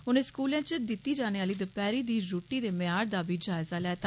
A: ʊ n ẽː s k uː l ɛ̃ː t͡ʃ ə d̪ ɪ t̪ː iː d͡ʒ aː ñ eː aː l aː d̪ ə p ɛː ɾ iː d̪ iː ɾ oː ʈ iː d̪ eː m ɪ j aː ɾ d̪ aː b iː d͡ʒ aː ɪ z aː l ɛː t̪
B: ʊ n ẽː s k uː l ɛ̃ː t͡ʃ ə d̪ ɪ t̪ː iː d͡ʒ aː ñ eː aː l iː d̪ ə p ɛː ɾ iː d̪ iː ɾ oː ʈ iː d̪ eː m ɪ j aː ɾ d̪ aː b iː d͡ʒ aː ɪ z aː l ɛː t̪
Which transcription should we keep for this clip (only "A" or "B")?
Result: B